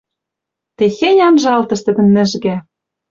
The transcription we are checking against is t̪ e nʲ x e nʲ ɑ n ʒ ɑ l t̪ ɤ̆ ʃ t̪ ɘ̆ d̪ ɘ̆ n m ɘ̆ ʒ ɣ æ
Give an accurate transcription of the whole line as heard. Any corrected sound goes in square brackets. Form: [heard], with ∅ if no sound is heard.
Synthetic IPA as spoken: t̪ e [∅] x e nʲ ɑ n ʒ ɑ l t̪ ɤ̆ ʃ t̪ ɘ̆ d̪ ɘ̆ n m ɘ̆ ʒ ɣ æ